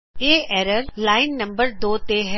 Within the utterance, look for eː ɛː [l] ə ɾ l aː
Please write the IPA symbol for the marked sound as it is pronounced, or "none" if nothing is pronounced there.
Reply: ɾ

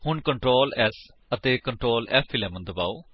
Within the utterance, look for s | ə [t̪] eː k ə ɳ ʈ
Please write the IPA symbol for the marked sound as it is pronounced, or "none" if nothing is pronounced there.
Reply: t̪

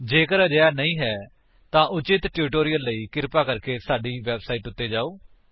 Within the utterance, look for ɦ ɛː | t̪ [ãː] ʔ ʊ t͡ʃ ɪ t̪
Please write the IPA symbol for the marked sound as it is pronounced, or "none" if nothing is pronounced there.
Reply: ãː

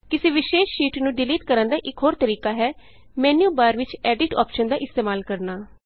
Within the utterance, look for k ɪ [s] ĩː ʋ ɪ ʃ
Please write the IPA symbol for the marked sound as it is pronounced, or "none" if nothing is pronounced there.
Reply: s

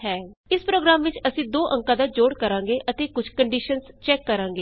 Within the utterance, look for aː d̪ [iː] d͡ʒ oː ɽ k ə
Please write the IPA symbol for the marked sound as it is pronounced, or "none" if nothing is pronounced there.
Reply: aː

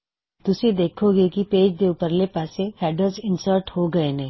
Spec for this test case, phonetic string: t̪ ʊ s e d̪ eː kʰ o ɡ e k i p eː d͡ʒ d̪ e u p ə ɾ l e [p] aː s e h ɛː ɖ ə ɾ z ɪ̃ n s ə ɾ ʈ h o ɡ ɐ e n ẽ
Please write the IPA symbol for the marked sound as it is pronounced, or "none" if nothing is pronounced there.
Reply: p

